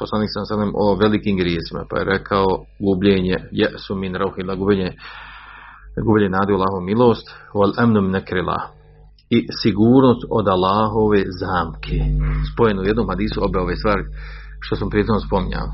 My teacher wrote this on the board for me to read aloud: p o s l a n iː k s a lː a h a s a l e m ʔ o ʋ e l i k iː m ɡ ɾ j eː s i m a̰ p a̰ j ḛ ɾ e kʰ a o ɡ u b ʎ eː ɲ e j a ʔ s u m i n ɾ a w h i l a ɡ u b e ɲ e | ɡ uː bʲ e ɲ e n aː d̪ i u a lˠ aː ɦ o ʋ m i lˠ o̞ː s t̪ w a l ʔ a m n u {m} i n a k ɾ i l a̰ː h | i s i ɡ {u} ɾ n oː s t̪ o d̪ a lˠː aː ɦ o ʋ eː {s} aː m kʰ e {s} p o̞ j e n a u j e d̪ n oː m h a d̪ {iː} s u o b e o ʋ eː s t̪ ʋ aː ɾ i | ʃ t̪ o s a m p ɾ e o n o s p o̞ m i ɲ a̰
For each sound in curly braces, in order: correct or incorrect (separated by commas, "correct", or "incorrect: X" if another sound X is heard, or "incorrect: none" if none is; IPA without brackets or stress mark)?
correct, incorrect: uː, incorrect: z, correct, correct